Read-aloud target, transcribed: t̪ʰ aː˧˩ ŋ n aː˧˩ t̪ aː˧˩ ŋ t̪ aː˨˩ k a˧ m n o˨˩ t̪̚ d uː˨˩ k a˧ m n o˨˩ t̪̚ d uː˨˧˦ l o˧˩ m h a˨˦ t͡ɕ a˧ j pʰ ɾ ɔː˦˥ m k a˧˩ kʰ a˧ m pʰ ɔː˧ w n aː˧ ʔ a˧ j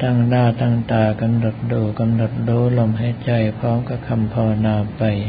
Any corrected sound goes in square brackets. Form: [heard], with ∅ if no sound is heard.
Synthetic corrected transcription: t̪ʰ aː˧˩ ŋ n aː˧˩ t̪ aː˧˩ ŋ t̪ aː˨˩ k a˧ m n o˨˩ t̪̚ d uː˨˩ k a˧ m n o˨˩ t̪̚ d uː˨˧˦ l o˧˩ m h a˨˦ t͡ɕ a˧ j pʰ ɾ ɔː˦˥ m k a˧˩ kʰ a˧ m pʰ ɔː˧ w n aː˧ [p] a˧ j